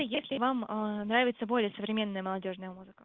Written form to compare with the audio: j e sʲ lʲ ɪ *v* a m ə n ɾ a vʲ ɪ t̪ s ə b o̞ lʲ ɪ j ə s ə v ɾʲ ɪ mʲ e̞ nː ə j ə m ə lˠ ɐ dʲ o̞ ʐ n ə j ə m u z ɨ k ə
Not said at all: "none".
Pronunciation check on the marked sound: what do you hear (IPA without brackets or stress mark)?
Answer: v